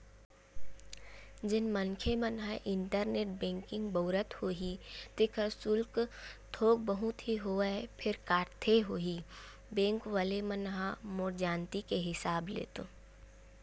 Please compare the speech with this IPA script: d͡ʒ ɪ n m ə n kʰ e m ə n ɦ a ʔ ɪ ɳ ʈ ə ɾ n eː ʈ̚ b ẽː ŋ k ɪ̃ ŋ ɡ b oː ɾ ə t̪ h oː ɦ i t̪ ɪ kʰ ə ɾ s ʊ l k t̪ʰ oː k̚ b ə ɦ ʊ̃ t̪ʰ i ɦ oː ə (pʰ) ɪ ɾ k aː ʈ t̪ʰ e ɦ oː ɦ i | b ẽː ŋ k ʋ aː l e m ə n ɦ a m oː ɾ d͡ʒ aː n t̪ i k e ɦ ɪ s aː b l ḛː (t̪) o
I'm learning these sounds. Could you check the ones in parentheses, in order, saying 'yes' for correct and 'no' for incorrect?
yes, yes

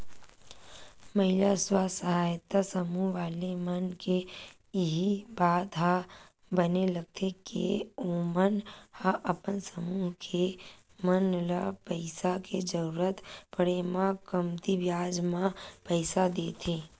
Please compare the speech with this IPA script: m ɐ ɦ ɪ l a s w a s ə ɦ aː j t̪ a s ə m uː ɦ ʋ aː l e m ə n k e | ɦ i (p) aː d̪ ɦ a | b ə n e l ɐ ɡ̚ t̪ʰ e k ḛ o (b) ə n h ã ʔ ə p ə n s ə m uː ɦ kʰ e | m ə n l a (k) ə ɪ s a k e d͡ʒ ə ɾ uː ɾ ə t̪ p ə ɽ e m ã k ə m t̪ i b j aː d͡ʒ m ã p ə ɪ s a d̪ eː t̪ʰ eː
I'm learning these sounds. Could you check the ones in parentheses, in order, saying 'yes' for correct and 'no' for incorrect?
no, no, no

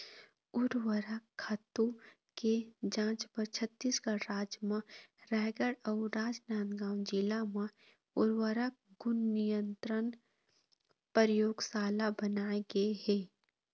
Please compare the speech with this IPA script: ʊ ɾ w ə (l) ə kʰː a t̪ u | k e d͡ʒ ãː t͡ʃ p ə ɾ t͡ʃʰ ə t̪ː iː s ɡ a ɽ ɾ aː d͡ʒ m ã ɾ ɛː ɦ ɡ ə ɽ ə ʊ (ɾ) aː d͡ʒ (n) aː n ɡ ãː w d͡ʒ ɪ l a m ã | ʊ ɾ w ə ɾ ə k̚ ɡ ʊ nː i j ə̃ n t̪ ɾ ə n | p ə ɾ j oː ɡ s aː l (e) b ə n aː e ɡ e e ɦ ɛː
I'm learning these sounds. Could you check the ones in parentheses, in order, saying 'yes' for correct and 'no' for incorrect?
no, yes, yes, no

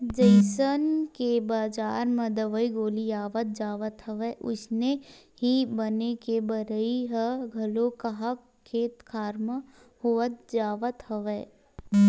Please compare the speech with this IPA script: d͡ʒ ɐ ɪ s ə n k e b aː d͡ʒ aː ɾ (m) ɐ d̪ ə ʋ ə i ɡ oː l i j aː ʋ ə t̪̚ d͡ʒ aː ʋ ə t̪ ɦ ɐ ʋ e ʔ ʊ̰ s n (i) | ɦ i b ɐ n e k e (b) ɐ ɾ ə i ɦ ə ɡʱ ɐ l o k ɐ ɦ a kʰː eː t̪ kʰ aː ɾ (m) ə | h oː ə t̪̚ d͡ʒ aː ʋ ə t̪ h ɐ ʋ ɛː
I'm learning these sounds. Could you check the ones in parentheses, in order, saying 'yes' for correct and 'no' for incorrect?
yes, no, yes, yes

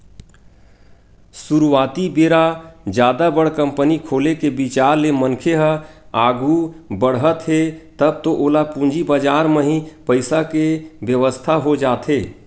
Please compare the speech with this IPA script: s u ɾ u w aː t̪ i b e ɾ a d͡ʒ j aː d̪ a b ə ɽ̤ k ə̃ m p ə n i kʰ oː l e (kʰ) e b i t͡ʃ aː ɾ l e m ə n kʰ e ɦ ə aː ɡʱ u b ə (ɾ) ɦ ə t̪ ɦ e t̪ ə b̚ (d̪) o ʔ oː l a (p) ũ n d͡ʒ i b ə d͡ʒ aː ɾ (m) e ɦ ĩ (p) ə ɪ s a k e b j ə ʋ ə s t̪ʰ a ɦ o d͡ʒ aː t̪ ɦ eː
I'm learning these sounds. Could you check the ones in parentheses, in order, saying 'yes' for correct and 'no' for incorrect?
no, no, no, yes, yes, yes

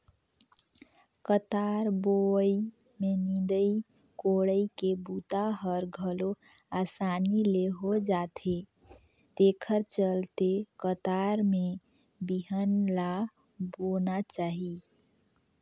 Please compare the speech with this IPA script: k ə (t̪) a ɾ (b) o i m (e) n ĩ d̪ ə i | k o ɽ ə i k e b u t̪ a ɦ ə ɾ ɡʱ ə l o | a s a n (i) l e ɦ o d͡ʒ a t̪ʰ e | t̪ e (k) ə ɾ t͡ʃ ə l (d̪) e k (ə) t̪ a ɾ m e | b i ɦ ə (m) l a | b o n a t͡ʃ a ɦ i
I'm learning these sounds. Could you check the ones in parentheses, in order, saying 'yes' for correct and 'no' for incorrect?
yes, yes, yes, yes, no, no, yes, no

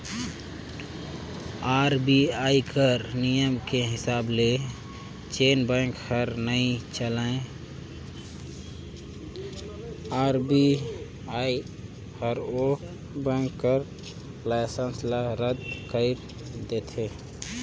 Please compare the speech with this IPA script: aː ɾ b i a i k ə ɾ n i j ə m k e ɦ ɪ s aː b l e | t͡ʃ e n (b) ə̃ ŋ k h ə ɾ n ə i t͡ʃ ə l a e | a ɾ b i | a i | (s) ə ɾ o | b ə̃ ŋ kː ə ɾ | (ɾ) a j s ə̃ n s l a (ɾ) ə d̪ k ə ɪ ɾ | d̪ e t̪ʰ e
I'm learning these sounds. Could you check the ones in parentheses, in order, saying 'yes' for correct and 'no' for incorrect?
yes, no, no, yes

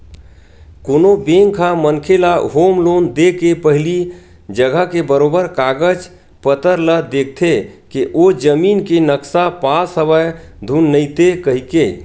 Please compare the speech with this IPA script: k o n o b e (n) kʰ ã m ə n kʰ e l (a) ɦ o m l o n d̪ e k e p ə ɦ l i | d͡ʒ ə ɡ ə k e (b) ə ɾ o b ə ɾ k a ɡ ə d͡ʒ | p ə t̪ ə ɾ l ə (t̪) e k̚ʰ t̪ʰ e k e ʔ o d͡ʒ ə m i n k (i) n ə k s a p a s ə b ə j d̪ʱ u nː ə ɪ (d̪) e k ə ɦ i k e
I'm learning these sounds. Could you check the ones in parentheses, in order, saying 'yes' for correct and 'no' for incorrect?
no, yes, yes, no, no, no

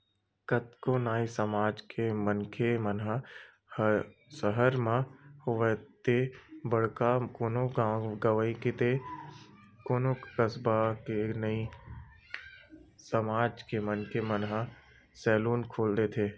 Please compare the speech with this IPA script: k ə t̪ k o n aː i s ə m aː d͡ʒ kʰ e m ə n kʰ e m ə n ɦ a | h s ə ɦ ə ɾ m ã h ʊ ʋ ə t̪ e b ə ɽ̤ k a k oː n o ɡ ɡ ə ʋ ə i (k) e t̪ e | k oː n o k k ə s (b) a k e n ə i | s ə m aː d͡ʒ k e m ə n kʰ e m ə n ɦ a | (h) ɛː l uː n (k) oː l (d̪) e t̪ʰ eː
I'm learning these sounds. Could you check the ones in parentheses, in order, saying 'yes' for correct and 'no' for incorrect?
yes, yes, no, no, yes

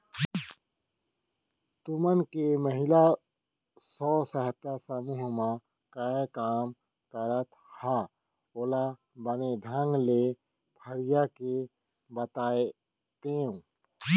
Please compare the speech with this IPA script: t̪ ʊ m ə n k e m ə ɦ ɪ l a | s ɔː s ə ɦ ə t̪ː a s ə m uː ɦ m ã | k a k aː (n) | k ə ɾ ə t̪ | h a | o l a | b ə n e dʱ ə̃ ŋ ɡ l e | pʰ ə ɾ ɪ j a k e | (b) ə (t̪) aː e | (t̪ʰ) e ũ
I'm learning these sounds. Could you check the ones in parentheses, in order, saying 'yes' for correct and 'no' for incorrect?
no, yes, yes, no

